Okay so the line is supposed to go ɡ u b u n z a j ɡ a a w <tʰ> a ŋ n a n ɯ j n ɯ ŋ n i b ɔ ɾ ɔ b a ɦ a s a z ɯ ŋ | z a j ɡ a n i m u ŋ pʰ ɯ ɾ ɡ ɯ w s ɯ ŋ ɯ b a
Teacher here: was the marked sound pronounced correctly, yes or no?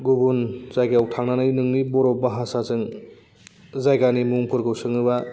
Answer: yes